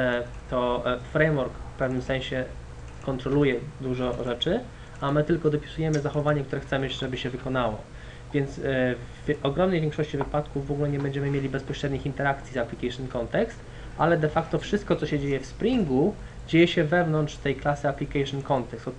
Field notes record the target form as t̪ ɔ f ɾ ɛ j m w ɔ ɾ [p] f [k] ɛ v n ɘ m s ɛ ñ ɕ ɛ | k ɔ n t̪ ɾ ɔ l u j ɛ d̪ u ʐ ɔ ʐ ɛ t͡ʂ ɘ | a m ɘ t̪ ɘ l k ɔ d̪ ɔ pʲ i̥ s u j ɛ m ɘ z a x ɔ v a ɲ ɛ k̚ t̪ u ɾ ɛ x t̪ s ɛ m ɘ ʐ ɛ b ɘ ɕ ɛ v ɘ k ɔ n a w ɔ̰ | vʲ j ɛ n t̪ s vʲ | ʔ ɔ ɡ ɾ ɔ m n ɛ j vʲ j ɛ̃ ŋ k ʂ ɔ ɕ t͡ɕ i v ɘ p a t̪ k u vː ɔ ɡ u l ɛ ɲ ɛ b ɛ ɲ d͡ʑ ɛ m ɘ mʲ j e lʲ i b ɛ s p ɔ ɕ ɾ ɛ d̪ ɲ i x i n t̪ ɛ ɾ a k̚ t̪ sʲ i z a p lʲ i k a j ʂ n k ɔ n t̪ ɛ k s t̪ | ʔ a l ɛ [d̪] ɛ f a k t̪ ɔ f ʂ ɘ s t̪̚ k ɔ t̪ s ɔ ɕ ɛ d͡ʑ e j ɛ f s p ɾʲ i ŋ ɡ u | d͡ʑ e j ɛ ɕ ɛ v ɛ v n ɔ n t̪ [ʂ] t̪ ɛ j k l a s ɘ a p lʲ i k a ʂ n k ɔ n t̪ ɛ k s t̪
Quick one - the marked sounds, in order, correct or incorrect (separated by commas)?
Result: incorrect, incorrect, correct, correct